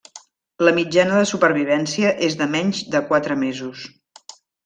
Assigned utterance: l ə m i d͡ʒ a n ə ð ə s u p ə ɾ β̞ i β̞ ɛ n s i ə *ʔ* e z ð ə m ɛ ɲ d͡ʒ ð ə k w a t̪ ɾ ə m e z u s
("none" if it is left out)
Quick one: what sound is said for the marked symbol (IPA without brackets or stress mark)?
ʔ